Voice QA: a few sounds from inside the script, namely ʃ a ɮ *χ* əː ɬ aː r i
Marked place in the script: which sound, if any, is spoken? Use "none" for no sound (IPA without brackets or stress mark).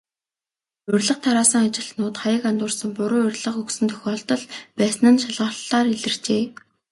ʁ